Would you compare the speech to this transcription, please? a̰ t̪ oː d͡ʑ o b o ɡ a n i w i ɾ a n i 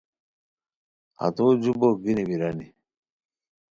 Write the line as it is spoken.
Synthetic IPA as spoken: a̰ t̪ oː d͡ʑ u b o ɡ i n i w i ɾ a n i